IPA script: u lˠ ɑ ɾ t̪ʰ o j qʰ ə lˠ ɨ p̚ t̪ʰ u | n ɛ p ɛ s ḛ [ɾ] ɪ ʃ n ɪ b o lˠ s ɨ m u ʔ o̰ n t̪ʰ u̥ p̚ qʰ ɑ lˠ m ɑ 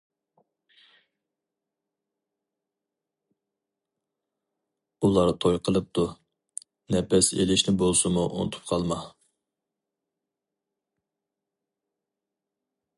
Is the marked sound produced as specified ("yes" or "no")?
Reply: no